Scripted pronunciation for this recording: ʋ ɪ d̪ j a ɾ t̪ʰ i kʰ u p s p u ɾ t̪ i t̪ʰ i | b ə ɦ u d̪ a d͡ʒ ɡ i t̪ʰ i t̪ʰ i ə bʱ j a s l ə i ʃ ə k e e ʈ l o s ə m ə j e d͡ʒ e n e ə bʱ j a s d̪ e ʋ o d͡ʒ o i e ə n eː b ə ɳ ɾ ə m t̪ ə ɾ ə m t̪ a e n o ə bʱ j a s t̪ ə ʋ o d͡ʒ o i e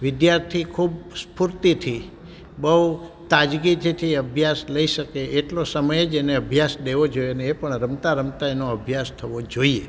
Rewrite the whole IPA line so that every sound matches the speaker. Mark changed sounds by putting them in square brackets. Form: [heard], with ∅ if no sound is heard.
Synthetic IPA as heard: ʋ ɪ d̪ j a ɾ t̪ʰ i kʰ u [b] s p u ɾ t̪ i t̪ʰ i | b ə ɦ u [t̪] a d͡ʒ ɡ i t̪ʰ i t̪ʰ i ə bʱ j a s l ə i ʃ ə k e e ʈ l o s ə m ə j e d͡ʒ e n e ə bʱ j a s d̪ e ʋ o d͡ʒ o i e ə n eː [p] ə ɳ ɾ ə m t̪ [a] ɾ ə m t̪ a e n o ə bʱ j a s [t̪ʰ] ə ʋ o d͡ʒ o i e

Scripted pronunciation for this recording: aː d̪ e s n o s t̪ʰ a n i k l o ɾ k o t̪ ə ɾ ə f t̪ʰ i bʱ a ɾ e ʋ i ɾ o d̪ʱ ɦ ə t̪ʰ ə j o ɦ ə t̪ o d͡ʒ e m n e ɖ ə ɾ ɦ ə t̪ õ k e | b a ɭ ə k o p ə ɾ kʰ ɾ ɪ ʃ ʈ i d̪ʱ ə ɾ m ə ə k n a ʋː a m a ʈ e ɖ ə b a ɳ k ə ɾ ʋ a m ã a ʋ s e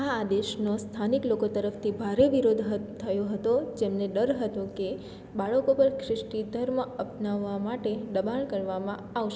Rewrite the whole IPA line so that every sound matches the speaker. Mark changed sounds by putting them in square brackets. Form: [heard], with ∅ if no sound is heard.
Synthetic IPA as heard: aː d̪ e [ʃ] n o s t̪ʰ a n i k l o [∅] k o t̪ ə ɾ ə f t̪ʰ i bʱ a ɾ e ʋ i ɾ o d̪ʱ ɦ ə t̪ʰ ə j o ɦ ə t̪ o d͡ʒ e m n e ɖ ə ɾ ɦ ə t̪ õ k e | b a ɭ ə k o p ə ɾ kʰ ɾ ɪ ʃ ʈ i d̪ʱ ə ɾ m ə ə [p] n a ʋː a m a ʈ e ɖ ə b a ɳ k ə ɾ ʋ a m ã a ʋ [ʃ] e

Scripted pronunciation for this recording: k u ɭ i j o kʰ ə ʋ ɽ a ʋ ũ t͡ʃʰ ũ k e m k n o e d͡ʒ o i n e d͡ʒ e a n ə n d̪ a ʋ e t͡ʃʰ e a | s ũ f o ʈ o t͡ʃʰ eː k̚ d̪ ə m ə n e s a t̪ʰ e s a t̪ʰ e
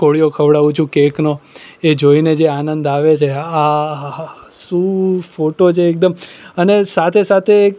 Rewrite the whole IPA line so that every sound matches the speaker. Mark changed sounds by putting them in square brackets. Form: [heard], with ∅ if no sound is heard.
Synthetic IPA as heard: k [o] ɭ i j o kʰ ə ʋ ɽ a ʋ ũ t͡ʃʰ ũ k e [∅] k n o e d͡ʒ o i n e d͡ʒ e a n ə n d̪ a ʋ e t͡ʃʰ e a | s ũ f o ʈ o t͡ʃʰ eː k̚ d̪ ə m ə n e s a t̪ʰ e s a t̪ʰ e

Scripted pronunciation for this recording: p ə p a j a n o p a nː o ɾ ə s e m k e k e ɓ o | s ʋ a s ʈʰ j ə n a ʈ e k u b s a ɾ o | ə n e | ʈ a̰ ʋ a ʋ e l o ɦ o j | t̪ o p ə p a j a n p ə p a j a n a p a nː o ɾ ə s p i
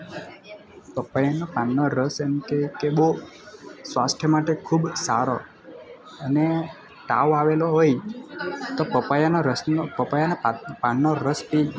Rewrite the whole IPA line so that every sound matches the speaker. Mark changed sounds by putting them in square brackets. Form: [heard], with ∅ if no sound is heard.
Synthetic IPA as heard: p ə p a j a n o p a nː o ɾ ə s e m k e k e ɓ o | s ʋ a s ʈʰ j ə [m] a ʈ e [kʰ] u b s a ɾ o | ə n e | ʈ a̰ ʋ a ʋ e l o ɦ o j | t̪ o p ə p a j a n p ə p a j a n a p a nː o ɾ ə s p i

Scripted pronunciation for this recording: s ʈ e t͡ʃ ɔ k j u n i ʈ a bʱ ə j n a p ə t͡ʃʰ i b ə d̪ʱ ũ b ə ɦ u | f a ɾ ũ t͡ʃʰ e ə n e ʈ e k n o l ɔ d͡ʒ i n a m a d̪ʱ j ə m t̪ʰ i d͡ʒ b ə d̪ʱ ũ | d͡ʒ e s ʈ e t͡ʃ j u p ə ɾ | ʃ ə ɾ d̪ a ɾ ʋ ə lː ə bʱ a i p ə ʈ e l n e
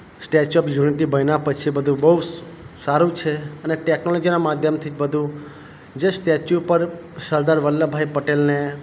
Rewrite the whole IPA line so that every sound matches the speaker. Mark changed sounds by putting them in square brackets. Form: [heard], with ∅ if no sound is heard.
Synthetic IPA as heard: s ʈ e t͡ʃ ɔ [p] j u n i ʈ [i] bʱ ə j n a p ə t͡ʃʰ i b ə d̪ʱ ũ b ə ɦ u | [s] a ɾ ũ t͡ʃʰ e ə n e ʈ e k n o l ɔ d͡ʒ i n a m a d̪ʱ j ə m t̪ʰ i d͡ʒ b ə d̪ʱ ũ | d͡ʒ e s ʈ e t͡ʃ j u p ə ɾ | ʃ ə ɾ d̪ a ɾ ʋ ə lː ə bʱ a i p ə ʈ e l n e

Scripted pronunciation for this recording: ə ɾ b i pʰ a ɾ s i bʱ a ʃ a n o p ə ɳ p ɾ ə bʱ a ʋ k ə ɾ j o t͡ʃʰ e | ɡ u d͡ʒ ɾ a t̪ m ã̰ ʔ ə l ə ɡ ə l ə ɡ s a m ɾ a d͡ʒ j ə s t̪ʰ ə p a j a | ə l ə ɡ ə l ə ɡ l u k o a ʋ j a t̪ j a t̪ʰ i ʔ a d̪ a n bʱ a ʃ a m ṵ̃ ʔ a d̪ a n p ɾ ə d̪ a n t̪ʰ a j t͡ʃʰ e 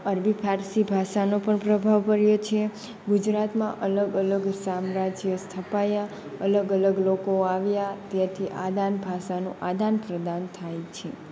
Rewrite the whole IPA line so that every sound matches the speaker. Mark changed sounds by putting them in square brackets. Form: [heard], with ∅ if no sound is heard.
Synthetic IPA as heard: ə ɾ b i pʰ a ɾ s i bʱ a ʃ a n o p ə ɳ p ɾ ə bʱ a ʋ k ə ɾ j o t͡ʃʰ e | ɡ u d͡ʒ ɾ a t̪ m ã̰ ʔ ə l ə ɡ ə l ə ɡ s a m ɾ a d͡ʒ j ə s t̪ʰ ə p a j a | ə l ə ɡ ə l ə ɡ l [o] k o a ʋ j a t̪ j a t̪ʰ i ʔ a d̪ a n bʱ a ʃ a [n] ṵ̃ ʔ a d̪ a n p ɾ ə d̪ a n t̪ʰ a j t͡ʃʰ e

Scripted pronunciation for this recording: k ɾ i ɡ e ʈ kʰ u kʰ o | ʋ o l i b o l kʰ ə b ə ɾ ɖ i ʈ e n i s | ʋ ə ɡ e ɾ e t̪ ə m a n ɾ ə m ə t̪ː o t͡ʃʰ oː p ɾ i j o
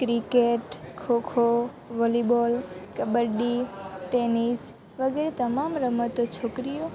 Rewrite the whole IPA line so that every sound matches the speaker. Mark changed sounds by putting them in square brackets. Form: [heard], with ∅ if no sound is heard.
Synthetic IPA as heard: k ɾ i [k] e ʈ kʰ [o] kʰ o | ʋ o l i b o l [k] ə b ə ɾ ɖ i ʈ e n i s | ʋ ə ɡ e ɾ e t̪ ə m a [m] ɾ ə m ə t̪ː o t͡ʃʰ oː [k] ɾ i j o

